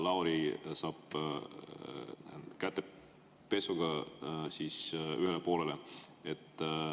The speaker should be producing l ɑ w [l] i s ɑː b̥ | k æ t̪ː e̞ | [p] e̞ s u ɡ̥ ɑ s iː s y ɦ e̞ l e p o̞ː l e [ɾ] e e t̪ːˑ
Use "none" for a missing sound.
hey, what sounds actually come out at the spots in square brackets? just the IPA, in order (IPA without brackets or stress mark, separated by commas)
ɾ, p, l